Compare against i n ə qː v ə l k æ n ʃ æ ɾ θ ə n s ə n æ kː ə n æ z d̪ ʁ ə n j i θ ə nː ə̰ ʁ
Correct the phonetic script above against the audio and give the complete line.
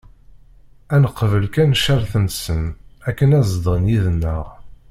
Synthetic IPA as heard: æ n ə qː v ə l k æ n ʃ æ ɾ θ ə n s ə n æ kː ə n æ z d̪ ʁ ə n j i ð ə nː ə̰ ʁ

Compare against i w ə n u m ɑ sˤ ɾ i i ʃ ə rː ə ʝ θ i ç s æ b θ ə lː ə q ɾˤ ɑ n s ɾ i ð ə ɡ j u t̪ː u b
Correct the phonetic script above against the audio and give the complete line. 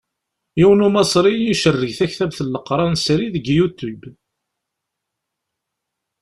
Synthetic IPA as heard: i w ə n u m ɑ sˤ ɾ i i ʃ ə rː ə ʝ θ æ ç θ æ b θ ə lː ə q ɾˤ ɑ n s ɾ i ð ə ɡ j u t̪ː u b

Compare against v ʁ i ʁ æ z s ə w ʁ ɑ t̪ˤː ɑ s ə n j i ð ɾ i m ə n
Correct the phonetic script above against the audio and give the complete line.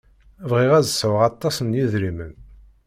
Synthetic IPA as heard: v ʁ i ʁ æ z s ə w ʁ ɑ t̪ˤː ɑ s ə n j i ð ɾ i m ə n

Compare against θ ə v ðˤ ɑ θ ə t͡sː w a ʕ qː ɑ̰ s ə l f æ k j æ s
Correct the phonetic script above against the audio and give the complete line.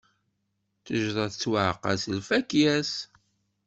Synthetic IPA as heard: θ ə ʒ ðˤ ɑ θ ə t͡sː w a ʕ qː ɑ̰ s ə l f æ k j æ s

